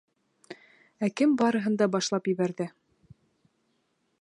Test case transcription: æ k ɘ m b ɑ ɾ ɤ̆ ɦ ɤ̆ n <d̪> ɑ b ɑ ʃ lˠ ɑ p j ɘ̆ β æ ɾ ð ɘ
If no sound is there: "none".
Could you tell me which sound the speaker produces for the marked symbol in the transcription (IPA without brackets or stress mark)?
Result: d̪